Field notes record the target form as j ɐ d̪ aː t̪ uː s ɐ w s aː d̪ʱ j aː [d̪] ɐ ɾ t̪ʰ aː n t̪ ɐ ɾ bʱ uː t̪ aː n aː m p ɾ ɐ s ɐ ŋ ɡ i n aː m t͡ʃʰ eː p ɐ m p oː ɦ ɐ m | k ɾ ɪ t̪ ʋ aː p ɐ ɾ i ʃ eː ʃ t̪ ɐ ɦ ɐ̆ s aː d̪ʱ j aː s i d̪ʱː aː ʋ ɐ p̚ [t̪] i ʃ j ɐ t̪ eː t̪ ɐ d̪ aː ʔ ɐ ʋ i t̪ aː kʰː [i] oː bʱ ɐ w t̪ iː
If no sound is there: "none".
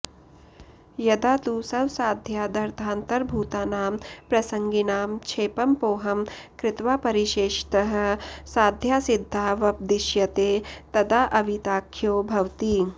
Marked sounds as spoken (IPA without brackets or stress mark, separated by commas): d̪, d̪, j